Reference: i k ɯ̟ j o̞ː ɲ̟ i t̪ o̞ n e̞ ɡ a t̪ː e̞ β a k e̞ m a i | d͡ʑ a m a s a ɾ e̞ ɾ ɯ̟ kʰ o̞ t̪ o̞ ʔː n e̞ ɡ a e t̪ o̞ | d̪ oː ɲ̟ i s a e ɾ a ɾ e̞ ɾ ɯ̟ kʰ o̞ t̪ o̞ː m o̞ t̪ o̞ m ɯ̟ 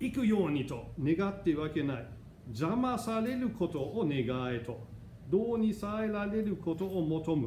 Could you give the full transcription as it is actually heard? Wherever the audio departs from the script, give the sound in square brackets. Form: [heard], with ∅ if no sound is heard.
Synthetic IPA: i k ɯ̟ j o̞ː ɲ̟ i t̪ o̞ n e̞ ɡ a t̪ː e̞ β a k e̞ [n] a i | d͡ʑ a m a s a ɾ e̞ ɾ ɯ̟ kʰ o̞ t̪ o̞ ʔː n e̞ ɡ a e t̪ o̞ | d̪ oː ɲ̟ i s a e ɾ a ɾ e̞ ɾ ɯ̟ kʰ o̞ t̪ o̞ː m o̞ t̪ o̞ m ɯ̟